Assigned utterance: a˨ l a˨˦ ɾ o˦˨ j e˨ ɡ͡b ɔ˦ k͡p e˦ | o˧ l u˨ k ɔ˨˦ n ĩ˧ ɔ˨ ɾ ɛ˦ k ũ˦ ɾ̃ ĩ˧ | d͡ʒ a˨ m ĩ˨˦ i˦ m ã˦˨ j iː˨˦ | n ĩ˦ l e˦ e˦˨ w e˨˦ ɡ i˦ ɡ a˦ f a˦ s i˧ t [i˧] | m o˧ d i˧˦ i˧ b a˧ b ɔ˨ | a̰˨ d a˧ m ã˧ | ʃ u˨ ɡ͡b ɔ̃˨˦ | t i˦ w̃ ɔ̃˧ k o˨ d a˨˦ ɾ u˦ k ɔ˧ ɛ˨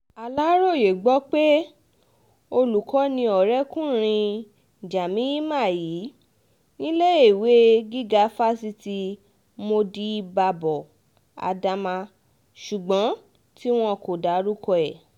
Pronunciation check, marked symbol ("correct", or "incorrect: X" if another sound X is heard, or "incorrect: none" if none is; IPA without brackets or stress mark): correct